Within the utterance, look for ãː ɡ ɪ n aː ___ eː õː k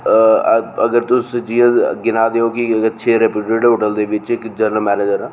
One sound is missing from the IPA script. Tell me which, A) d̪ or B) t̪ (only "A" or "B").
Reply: A